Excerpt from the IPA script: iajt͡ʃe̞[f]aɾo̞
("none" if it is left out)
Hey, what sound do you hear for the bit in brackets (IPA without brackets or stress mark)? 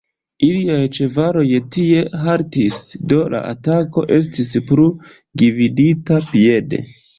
v